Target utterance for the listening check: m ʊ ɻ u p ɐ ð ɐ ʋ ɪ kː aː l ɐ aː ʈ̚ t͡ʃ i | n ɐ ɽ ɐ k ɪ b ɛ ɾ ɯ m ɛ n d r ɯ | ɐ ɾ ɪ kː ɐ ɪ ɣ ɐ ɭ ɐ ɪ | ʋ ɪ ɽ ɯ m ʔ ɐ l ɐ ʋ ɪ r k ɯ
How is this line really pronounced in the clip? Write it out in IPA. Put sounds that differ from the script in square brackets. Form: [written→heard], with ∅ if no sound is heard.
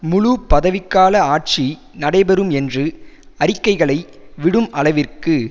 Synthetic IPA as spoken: m ʊ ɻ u p ɐ ð ɐ ʋ ɪ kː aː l ɐ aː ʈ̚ t͡ʃ i | n ɐ ɽ ɐ [k→∅] ɪ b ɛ ɾ ɯ m ɛ n d r ɯ | ɐ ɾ ɪ kː ɐ ɪ ɣ ɐ ɭ ɐ ɪ | ʋ ɪ ɽ ɯ m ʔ ɐ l ɐ ʋ ɪ r k ɯ